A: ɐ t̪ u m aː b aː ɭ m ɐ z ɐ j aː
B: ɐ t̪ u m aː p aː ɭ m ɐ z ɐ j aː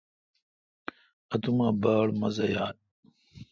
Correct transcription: A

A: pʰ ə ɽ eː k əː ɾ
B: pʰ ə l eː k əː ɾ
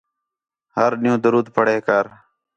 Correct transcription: A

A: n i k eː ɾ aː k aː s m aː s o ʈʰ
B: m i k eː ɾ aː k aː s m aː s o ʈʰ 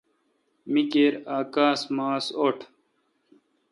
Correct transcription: B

